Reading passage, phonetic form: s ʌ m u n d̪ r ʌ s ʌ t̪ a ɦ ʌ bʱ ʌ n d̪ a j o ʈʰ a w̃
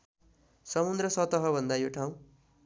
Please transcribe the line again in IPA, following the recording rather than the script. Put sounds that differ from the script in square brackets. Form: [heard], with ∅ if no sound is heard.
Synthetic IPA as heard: s ʌ m u n d̪ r ʌ s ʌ t̪ [ʌ] ɦ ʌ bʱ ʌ n d̪ a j o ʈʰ a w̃